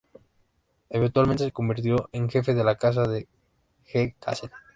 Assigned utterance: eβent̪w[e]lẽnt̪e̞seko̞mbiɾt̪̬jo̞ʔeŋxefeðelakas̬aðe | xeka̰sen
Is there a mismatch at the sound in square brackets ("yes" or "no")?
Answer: yes